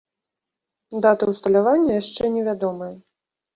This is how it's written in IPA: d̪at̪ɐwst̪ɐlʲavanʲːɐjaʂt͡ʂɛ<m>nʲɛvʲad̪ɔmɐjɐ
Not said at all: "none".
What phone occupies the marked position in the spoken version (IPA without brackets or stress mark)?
none